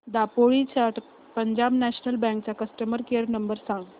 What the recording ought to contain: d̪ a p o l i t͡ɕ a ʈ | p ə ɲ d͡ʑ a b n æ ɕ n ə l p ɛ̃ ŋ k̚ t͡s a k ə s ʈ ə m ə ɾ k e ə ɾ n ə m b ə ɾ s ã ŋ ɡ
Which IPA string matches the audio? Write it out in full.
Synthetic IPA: d̪ a p o ɭ i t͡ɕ a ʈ | p ə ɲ d͡ʑ a b n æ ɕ n ə l b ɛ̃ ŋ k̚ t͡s a k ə s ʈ ə m ə ɾ k e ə ɾ n ə m b ə ɾ s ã ŋ ɡ